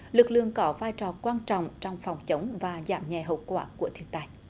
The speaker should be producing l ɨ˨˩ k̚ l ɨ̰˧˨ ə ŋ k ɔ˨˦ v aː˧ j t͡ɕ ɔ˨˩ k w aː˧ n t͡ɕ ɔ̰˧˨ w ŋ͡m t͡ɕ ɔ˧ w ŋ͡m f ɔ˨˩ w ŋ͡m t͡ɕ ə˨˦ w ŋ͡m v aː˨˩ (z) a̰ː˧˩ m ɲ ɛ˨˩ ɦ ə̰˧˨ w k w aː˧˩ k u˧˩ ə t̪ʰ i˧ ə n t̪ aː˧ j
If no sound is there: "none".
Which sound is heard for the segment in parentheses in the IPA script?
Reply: z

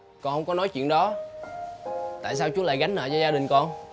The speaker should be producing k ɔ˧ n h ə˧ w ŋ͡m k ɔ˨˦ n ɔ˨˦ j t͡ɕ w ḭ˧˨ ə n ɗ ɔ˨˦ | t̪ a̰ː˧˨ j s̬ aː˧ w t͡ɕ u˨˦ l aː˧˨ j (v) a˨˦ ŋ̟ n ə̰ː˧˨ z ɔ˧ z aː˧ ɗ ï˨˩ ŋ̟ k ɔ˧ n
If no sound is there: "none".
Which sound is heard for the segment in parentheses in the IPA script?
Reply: ɣ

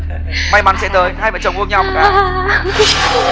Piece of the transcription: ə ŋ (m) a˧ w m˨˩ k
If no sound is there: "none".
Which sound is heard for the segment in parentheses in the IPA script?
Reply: ɲ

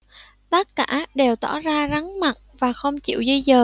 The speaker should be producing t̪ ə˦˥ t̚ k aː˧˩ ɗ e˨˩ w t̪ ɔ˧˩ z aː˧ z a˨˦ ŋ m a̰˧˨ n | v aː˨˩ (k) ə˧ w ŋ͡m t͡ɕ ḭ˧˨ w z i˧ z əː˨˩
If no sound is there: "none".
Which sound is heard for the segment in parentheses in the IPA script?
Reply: x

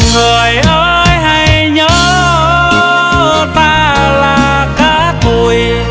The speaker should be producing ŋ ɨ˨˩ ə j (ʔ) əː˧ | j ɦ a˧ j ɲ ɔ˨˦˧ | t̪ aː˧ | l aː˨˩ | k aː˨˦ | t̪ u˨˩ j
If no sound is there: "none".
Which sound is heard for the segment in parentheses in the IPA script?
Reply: ʔ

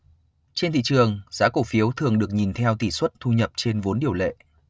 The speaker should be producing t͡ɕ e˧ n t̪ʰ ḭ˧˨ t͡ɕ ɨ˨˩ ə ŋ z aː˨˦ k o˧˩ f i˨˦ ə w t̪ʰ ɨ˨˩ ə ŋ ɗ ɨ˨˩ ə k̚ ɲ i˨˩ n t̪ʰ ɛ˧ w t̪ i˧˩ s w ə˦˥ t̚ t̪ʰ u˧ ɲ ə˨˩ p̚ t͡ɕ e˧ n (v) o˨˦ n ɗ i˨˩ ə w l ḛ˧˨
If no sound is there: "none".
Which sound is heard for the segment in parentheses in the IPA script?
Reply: v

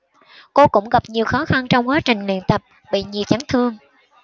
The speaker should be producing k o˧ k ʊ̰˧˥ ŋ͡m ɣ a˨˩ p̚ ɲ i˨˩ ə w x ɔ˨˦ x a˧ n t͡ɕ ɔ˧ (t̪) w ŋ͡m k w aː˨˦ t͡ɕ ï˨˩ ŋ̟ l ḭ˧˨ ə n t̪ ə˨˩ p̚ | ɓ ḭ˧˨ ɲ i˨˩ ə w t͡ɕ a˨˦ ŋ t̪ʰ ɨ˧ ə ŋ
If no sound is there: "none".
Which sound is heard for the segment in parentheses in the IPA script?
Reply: none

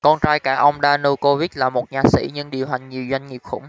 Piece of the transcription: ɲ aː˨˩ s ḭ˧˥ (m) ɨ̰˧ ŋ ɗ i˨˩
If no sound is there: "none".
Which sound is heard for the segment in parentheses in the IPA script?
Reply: ɲ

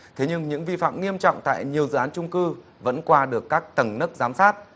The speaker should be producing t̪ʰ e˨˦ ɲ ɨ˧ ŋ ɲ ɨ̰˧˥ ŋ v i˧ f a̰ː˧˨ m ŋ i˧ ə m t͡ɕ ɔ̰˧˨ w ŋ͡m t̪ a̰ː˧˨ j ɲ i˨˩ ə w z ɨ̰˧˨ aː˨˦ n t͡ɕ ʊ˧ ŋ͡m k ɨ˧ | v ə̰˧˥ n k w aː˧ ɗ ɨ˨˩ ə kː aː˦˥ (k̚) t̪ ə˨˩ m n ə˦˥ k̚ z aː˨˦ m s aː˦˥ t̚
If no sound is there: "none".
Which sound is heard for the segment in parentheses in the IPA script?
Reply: k̚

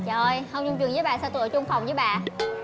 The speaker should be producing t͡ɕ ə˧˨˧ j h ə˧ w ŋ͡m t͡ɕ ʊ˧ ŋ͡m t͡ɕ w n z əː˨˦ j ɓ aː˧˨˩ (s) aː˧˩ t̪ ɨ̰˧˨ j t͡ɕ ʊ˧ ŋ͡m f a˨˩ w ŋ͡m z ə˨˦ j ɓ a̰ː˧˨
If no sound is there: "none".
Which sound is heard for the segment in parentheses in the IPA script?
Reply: s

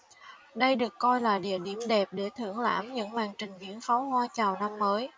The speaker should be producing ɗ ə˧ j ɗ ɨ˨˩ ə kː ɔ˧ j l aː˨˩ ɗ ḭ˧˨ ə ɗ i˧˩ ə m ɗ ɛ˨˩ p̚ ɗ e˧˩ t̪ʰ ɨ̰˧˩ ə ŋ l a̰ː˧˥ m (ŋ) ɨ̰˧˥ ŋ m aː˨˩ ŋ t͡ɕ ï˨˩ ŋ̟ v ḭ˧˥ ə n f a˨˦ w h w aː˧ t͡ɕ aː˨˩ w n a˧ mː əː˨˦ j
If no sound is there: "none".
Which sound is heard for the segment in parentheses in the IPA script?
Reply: ɲ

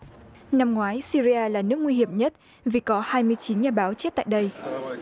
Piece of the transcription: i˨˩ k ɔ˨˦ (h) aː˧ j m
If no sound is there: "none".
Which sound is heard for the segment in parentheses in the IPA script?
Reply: h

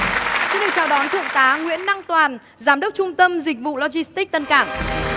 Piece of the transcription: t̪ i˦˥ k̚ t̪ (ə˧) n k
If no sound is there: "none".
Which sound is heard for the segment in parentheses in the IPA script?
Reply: ə˧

